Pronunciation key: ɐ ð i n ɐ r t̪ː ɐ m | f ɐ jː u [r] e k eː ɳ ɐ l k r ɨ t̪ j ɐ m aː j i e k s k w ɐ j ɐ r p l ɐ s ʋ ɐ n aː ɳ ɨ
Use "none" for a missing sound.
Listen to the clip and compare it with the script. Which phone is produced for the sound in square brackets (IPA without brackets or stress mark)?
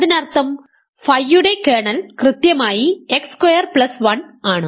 ɽ